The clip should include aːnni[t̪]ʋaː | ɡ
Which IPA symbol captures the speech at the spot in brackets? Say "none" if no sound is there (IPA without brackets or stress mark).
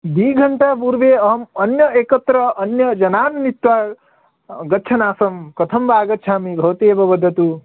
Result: t̪